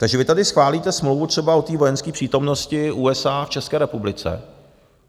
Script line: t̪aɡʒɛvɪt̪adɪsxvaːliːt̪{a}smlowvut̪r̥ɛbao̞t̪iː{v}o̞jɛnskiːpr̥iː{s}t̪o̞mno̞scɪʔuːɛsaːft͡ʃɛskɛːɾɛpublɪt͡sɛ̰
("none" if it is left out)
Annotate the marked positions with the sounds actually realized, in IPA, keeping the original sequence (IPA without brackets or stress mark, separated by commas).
ɛ, v, none